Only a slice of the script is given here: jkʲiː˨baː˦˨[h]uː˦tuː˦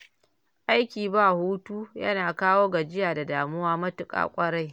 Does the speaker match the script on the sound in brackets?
yes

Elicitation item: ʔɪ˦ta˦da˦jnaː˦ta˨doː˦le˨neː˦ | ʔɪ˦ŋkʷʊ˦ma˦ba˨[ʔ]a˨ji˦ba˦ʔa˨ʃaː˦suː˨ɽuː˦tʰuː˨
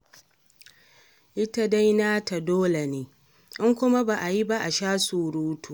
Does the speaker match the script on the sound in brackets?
yes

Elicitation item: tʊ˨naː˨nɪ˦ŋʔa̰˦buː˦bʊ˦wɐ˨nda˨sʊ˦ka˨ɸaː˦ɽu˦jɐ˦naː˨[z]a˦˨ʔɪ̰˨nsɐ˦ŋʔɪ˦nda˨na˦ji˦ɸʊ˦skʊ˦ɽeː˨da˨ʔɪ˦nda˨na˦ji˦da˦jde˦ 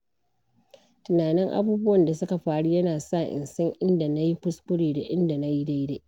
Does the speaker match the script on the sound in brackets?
no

